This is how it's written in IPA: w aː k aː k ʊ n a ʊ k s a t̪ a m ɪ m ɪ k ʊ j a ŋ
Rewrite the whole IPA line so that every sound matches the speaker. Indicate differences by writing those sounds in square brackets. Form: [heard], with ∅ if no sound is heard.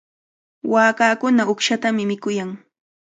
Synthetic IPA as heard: w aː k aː k ʊ n a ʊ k [ʃ] a t̪ a m ɪ m ɪ k ʊ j a ŋ

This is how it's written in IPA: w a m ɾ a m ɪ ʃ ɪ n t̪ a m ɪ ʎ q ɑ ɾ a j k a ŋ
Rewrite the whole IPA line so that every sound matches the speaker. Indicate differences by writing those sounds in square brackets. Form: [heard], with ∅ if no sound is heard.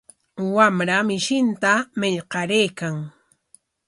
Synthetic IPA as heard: w a m ɾ a m ɪ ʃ ɪ n t̪ a m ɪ ʎ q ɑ ɾ [e] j k a ŋ

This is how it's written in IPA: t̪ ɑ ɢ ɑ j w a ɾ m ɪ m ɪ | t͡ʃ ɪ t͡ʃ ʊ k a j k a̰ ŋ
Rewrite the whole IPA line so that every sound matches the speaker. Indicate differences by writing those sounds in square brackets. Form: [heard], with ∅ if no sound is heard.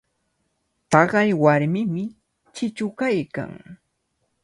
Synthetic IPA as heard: t̪ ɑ ɢ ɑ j w a ɾ m ɪ m ɪ | t͡ʃ ɪ t͡ʃ ʊ k a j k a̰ ŋ

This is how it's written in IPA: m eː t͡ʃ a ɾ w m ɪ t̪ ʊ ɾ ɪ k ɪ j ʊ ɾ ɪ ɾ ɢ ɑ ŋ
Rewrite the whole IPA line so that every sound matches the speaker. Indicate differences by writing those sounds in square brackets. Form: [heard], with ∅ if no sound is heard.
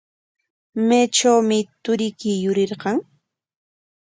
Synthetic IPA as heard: m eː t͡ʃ a [∅] w m ɪ t̪ ʊ ɾ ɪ k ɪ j ʊ ɾ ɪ ɾ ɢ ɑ ŋ

